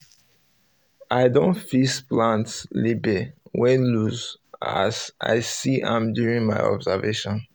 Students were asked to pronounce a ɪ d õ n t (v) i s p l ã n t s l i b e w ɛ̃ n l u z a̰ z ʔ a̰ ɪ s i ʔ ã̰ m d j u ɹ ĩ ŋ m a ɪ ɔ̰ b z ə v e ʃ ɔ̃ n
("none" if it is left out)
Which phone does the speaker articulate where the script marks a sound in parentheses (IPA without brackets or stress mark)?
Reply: f